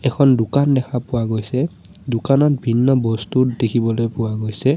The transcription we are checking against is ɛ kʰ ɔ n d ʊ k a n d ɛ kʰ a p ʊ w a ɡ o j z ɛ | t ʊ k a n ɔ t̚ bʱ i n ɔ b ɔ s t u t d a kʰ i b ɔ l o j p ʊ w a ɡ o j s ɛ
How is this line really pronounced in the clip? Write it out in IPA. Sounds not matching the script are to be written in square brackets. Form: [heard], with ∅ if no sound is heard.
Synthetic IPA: ɛ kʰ ɔ n d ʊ k a n d ɛ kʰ a p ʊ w a ɡ o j [s] ɛ | [d] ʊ k a n ɔ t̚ bʱ i [nː] ɔ b ɔ s t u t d [e] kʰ i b ɔ l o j p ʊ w a ɡ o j s ɛ